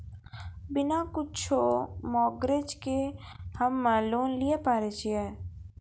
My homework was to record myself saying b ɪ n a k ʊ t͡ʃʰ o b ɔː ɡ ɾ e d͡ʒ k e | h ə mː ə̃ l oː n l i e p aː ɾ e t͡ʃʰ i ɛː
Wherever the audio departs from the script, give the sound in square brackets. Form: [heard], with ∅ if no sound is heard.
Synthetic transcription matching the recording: b ɪ n a k ʊ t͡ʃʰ o [m] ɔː ɡ ɾ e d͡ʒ k e | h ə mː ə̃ l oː n l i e p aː ɾ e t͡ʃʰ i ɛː